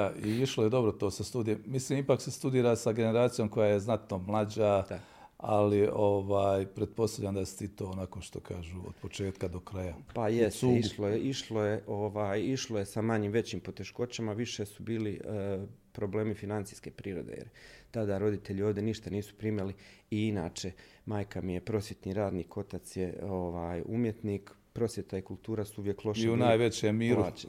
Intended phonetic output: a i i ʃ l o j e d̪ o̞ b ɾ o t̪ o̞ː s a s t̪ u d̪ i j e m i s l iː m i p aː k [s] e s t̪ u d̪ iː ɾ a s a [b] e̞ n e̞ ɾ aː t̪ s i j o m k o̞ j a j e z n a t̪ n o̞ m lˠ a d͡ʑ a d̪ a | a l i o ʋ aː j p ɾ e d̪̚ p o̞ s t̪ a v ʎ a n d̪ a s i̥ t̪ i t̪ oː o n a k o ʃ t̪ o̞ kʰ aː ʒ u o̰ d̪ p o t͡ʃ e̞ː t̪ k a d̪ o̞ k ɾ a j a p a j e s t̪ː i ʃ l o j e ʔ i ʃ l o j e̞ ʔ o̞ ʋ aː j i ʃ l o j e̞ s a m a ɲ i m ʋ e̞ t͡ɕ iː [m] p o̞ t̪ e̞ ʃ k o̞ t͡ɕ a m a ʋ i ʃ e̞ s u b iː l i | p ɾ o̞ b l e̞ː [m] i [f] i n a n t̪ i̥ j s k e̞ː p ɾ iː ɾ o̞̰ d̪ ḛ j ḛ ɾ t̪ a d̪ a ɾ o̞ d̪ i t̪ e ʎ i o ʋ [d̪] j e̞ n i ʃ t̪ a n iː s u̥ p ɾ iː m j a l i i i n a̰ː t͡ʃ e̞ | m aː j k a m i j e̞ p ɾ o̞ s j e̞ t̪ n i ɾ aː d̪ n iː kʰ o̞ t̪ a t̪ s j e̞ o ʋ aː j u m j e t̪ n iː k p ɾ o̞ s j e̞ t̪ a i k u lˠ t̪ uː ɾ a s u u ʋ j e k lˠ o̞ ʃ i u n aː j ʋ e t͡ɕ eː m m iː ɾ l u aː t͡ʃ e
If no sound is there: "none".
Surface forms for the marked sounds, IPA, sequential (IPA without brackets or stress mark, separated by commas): s, ɡ, m, m, f, d̪